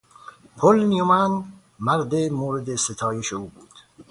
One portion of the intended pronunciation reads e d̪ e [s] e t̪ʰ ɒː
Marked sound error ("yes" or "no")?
no